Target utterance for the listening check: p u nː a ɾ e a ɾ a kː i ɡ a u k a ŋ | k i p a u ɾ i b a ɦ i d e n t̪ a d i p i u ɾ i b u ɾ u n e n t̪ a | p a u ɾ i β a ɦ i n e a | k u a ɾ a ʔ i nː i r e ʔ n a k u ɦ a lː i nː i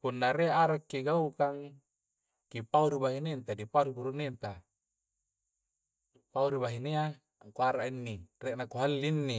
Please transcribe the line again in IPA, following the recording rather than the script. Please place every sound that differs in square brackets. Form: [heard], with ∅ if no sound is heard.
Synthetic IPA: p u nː a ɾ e a ɾ a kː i ɡ a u k a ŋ | k i p a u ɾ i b a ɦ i [n] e n t̪ a d i p [a] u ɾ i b u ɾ u n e n t̪ a | p a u ɾ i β a ɦ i n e a | k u a ɾ a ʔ i nː i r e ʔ n a k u ɦ a lː i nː i

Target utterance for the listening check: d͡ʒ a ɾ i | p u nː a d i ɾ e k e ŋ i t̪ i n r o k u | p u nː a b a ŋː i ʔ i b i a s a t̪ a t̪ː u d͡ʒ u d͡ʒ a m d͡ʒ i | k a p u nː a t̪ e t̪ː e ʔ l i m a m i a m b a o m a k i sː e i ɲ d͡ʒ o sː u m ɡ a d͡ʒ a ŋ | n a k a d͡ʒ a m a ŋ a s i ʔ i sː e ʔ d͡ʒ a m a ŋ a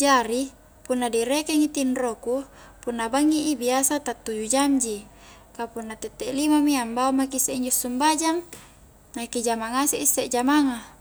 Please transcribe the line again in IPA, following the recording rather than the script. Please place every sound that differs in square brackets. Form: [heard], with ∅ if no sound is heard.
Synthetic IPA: d͡ʒ a ɾ i | p u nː a d i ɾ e k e ŋ i t̪ i n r o k u | p u nː a b a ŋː i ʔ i b i a s a t̪ a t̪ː u d͡ʒ u d͡ʒ a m d͡ʒ i | k a p u nː a t̪ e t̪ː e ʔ l i m a m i a m b a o m a k i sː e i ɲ d͡ʒ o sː u m [b] a d͡ʒ a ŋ | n a k [i] d͡ʒ a m a ŋ a s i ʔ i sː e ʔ d͡ʒ a m a ŋ a

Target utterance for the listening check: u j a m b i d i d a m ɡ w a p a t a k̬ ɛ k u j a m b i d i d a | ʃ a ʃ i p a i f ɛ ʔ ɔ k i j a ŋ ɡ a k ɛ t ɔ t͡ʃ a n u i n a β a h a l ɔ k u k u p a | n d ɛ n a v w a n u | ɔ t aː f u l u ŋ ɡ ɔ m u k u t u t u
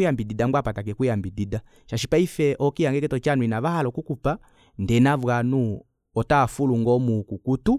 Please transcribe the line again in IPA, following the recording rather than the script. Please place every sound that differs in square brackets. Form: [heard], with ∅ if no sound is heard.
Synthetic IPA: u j a m b i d i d a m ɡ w a p a t a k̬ ɛ k u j a m b i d i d a | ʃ a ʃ i p a i f ɛ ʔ ɔ k i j a ŋ ɡ [ɛ] k ɛ t ɔ t͡ʃ a n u i n a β a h a l ɔ k u k u p a | n d ɛ n a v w a n u | ɔ t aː f u l u ŋ ɡ ɔ m u k u [k] u t u

